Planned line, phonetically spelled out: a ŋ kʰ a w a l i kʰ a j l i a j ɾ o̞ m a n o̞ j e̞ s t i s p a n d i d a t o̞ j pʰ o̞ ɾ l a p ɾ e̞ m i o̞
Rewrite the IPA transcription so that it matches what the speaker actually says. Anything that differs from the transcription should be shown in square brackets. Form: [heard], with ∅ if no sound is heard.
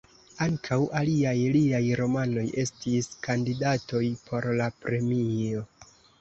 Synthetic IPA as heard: a ŋ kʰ a w a l i [∅] a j l i a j ɾ o̞ m a n o̞ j e̞ s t i s [k] a n d i d a t o̞ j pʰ o̞ ɾ l a p ɾ e̞ m i o̞